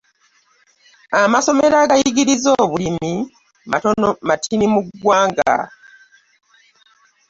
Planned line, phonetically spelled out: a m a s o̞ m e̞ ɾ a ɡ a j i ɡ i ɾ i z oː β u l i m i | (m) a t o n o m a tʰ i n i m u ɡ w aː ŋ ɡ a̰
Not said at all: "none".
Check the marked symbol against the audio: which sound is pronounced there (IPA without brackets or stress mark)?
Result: m